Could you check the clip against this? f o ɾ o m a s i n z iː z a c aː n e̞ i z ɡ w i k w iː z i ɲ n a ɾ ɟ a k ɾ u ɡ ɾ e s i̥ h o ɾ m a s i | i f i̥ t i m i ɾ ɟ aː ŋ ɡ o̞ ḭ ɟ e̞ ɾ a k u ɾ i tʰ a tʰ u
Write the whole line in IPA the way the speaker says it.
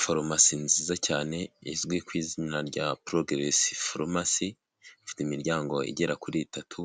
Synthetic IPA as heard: f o ɾ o m a s i n z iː z a c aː n e̞ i z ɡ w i k w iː z i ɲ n a ɾ ɟ a p ɾ o ɡ ɾ e s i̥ f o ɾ m a s i | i f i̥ t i m i ɾ ɟ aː ŋ ɡ o̞ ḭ ɟ e̞ ɾ a k u ɾ i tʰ a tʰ u